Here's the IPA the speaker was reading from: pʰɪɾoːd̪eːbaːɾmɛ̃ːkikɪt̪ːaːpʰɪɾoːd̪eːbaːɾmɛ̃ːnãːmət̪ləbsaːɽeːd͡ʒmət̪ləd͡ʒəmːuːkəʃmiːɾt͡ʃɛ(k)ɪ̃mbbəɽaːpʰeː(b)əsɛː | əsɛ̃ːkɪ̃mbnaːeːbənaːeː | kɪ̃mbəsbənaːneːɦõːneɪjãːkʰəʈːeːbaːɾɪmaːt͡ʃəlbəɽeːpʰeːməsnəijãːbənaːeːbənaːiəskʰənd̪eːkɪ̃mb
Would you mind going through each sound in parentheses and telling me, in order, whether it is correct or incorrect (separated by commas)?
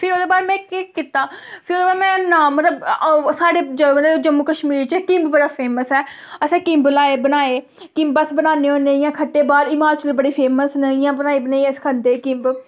correct, incorrect